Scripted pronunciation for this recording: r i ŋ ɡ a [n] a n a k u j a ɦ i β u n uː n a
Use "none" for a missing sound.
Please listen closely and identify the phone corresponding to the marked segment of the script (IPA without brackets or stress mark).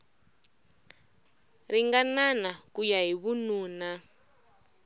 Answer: n